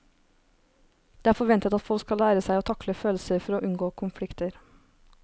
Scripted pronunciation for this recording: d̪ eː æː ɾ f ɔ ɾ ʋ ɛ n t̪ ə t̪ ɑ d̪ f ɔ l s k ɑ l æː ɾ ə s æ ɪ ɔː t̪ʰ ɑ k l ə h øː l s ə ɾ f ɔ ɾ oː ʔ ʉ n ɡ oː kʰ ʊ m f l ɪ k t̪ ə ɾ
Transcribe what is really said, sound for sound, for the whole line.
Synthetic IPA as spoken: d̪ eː æː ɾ f ɔ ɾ ʋ ɛ n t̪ ə t̪ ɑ t̪ f ɔ l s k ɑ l æː ɾ ə s æ ɪ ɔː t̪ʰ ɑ k l ə f øː l s ə ɾ f ɔ ɾ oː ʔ ʉ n ɡ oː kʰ ʊ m f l ɪ k t̪ ə ɾ